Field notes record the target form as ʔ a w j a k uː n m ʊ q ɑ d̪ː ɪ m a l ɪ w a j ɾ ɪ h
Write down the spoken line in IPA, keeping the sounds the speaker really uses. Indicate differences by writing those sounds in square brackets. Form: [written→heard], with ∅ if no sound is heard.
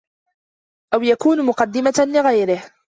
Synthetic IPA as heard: ʔ a w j a k uː n m ʊ q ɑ d̪ː ɪ m a l ɪ [w→ɣ] a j ɾ ɪ h